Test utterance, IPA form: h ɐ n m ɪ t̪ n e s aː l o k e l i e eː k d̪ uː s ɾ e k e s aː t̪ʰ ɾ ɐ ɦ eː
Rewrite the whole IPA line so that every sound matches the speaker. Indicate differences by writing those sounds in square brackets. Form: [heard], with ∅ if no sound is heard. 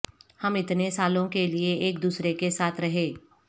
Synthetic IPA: h ɐ [∅] m ɪ t̪ n e s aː l [õ] k e l i e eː k d̪ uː s ɾ e k e s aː t̪ʰ ɾ ɐ ɦ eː